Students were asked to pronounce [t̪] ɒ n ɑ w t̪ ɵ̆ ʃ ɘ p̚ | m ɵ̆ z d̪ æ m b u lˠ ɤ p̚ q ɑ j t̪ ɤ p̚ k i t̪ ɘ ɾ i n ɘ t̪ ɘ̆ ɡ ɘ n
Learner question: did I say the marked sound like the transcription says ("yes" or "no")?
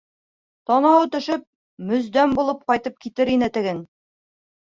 yes